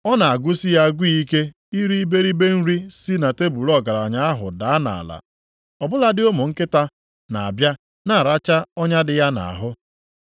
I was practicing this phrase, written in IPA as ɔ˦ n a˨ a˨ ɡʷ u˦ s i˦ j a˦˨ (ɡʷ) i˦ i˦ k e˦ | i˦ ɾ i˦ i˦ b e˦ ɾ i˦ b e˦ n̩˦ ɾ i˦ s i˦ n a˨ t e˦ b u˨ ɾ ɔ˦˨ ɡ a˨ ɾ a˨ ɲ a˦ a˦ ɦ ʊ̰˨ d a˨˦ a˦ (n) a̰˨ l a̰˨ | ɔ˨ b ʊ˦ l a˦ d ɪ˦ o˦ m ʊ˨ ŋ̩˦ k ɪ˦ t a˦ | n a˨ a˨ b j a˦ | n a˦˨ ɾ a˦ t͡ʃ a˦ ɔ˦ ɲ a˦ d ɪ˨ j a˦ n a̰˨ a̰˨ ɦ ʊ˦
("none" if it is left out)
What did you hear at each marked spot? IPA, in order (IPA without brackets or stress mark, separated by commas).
ɡʷ, n